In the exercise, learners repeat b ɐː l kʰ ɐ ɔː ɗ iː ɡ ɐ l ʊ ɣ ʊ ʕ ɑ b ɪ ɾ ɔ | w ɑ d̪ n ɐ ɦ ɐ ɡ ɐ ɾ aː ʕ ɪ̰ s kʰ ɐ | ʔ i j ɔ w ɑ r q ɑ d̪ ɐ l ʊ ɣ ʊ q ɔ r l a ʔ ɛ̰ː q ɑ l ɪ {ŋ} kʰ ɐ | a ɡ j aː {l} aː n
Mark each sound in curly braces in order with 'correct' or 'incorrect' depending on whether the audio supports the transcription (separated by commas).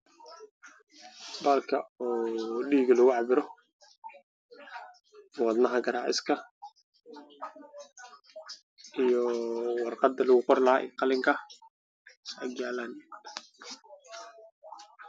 correct, correct